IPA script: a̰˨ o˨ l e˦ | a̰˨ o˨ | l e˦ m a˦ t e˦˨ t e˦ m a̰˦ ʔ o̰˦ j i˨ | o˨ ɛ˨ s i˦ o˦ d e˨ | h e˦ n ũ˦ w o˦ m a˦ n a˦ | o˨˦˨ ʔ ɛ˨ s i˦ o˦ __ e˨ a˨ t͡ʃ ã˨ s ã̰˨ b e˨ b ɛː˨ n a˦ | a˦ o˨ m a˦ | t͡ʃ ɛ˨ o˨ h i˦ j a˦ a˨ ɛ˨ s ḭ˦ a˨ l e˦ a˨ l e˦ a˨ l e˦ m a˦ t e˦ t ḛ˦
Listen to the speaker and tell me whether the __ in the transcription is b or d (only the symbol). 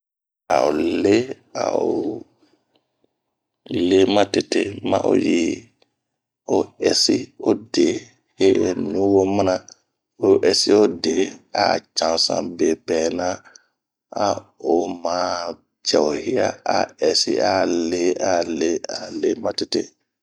d